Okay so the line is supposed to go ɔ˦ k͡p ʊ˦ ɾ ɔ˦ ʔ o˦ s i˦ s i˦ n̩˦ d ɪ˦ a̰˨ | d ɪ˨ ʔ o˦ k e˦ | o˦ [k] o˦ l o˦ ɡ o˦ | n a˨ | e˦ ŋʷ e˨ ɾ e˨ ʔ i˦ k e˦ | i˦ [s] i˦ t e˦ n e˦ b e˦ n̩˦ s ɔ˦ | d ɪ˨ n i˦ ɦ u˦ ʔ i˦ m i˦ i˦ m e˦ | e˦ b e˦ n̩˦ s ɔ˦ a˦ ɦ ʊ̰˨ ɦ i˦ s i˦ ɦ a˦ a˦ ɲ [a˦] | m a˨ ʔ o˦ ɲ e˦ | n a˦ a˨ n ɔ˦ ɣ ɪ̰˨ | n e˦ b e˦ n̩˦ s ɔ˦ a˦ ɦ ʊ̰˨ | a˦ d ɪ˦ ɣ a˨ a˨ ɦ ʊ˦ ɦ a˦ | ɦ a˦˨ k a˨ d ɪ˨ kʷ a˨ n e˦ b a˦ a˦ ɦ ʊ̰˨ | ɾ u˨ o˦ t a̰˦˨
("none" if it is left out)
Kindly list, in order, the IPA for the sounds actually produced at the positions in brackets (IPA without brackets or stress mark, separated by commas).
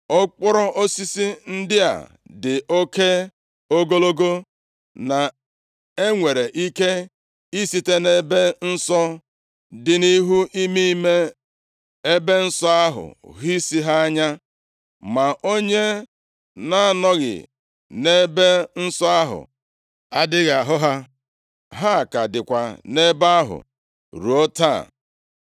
ɡ, s, a˦